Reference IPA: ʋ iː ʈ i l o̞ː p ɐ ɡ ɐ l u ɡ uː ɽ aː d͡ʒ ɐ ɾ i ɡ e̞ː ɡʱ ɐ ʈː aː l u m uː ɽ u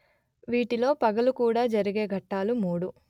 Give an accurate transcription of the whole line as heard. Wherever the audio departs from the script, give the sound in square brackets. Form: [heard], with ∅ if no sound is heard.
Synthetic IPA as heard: ʋ iː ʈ i l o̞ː p ɐ ɡ ɐ l u [k] uː ɽ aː d͡ʒ ɐ ɾ i ɡ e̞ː ɡʱ ɐ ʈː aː l u m uː ɽ u